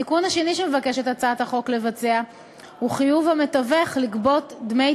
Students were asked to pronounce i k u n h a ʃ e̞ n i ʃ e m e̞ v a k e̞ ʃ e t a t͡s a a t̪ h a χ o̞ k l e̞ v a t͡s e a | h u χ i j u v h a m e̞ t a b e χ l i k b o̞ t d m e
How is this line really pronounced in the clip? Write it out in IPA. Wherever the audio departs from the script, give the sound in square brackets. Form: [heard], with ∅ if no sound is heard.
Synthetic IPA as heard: i k u n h a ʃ e̞ n i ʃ e m e̞ v a k e̞ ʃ e t a t͡s a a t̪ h a χ o̞ k l e̞ v a t͡s e a | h u χ i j u v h a m e̞ t a [v] e χ l i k b o̞ t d m e